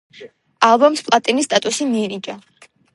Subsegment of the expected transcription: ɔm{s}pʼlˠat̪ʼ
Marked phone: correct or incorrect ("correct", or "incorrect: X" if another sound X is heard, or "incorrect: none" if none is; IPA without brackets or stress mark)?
correct